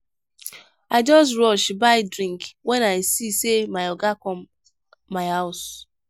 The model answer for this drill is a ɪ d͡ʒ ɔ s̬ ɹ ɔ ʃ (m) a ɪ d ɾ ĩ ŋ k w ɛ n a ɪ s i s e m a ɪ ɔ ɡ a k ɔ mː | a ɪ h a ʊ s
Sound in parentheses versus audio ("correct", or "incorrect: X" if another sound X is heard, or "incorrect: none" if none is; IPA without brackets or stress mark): incorrect: b